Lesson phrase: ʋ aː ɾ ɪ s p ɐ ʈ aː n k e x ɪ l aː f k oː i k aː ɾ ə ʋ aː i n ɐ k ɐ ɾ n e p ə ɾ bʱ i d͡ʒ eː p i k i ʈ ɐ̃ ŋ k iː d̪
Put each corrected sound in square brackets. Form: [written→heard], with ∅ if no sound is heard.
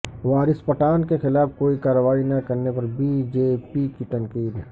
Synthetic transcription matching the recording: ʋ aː ɾ ɪ s p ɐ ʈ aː n k e x ɪ l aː f k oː i k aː ɾ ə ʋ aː i n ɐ k ɐ ɾ n e p [ə→ɐ] ɾ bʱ i d͡ʒ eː p i k i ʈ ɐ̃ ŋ k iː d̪